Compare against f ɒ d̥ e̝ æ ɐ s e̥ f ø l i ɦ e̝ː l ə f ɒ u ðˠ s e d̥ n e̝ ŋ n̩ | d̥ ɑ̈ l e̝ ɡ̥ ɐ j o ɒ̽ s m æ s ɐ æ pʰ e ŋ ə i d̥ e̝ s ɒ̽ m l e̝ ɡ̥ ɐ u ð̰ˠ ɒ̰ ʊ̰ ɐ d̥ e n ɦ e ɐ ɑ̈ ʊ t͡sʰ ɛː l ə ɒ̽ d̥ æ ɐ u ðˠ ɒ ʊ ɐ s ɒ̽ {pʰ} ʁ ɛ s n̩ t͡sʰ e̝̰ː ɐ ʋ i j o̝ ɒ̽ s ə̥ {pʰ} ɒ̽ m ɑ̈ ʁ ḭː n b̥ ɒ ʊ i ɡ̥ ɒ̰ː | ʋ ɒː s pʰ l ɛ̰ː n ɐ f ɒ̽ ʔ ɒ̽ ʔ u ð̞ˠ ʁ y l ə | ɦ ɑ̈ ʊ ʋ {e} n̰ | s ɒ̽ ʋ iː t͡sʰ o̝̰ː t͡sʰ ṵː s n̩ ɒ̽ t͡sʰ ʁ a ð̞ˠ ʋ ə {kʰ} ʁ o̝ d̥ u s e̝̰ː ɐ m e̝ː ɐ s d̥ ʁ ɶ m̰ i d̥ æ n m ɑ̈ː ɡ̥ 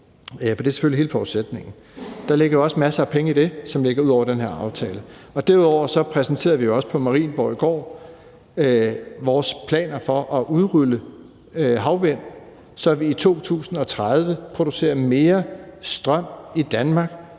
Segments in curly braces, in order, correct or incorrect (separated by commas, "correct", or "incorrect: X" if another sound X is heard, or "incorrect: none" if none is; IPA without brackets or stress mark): correct, correct, correct, incorrect: pʰ